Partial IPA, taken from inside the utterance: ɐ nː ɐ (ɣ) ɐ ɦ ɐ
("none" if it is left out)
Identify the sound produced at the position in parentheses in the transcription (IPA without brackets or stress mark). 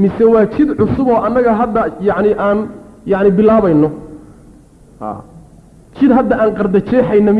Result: ɣ